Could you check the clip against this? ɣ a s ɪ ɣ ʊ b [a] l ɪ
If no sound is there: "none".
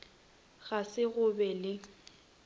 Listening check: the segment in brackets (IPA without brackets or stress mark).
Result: ɛ